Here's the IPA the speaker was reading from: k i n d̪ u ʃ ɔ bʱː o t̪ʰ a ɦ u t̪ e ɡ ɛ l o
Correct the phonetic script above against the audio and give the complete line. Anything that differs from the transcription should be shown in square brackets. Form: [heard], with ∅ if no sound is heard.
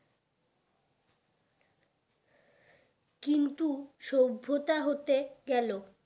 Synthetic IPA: k i n [t̪] u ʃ [o] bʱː o [t̪] a ɦ [o] t̪ e ɡ ɛ l o